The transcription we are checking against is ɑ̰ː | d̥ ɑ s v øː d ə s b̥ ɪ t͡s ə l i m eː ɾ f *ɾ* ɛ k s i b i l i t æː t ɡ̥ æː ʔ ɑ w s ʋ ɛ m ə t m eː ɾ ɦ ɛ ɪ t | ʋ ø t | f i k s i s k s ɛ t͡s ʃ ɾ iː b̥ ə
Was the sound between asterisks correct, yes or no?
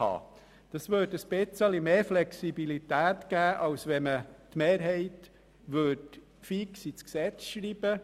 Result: no